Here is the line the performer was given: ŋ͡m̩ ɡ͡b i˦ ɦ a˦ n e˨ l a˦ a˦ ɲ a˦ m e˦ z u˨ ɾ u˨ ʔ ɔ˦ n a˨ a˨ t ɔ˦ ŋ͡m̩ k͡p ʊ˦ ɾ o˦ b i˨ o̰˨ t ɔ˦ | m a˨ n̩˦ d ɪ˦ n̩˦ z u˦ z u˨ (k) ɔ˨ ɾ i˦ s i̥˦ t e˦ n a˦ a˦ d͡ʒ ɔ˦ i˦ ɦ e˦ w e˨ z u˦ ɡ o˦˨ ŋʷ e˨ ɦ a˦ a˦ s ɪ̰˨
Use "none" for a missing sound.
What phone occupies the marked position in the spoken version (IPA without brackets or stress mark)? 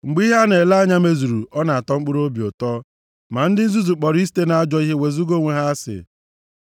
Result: k͡p